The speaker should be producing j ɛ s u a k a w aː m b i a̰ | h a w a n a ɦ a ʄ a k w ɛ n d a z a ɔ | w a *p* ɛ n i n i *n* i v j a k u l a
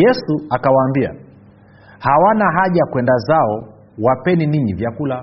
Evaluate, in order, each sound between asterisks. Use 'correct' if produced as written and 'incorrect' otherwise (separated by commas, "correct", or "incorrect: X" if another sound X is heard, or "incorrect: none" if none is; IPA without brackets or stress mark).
correct, incorrect: ɲ